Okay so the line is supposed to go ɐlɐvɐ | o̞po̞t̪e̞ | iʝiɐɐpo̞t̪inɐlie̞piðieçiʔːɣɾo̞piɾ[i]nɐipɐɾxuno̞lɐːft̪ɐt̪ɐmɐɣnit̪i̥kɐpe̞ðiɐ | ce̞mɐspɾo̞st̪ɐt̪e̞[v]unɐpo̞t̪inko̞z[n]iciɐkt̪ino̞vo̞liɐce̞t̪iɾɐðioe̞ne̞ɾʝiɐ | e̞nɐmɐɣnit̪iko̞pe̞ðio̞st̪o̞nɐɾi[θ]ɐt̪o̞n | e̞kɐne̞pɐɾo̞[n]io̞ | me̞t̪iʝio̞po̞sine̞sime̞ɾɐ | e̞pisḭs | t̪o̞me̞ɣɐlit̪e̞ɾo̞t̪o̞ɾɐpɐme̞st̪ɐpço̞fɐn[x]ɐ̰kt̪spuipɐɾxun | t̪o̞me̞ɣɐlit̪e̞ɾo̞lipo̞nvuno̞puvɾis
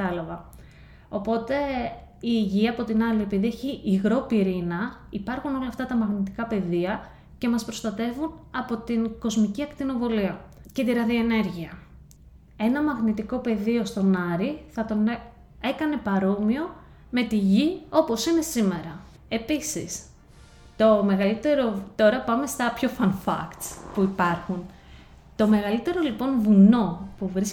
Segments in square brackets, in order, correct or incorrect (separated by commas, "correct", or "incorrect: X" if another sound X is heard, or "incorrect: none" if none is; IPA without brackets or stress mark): correct, correct, incorrect: m, correct, incorrect: m, incorrect: f